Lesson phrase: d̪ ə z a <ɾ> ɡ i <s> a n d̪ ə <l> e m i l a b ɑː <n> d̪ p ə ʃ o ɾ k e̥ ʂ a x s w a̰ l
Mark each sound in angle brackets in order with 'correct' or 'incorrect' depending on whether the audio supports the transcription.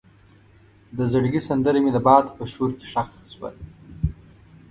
incorrect: ɽ, correct, incorrect: ɾ, incorrect: none

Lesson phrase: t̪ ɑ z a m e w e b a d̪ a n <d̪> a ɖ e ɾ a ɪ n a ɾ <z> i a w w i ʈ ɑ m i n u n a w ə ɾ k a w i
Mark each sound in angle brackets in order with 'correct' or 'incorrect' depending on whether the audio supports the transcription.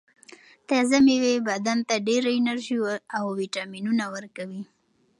incorrect: t̪, incorrect: ʒ

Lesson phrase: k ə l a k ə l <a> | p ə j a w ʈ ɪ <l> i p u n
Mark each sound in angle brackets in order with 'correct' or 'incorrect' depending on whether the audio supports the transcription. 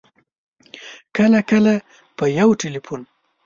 correct, correct

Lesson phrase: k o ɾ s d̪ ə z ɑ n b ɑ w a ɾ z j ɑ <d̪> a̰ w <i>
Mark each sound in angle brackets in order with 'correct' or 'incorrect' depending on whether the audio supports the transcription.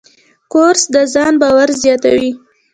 incorrect: t̪, correct

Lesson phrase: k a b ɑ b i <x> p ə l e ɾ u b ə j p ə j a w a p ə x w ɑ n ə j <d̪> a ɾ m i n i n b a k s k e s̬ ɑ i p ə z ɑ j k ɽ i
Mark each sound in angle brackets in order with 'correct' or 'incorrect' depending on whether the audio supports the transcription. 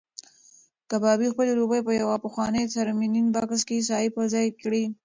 correct, incorrect: t̪

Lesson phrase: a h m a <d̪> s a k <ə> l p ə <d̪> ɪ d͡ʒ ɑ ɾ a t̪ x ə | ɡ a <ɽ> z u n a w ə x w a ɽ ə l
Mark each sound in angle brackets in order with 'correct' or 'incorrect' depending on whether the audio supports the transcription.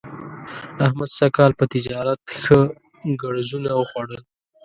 correct, incorrect: ɑ, incorrect: t̪, correct

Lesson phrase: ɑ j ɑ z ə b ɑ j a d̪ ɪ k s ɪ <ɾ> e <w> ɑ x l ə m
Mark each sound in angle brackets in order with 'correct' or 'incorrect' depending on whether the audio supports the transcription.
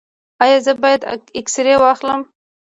correct, correct

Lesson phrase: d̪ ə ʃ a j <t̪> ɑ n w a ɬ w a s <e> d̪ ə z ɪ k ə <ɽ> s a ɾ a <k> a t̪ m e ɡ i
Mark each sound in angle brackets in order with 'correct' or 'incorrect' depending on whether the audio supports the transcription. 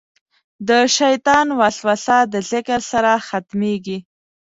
correct, incorrect: a, incorrect: ɾ, incorrect: x

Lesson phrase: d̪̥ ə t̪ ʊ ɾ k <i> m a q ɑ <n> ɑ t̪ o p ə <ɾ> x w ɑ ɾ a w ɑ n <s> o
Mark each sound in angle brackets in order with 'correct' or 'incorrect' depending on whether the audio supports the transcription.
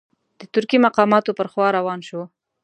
correct, incorrect: m, correct, incorrect: ʃ

